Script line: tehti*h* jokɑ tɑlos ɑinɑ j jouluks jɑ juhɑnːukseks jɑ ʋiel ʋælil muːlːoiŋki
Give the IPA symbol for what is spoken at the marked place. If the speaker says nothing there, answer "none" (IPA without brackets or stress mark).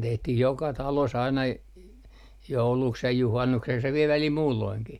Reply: h